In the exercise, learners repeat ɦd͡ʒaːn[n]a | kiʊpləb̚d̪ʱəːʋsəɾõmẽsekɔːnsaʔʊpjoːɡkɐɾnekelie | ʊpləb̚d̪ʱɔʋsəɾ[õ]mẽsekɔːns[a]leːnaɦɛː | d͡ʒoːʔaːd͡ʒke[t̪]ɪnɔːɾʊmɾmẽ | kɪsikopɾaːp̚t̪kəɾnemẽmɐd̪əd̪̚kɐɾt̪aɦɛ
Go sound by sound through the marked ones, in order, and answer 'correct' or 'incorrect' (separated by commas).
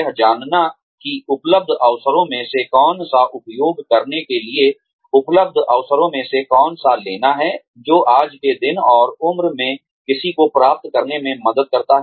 correct, correct, correct, incorrect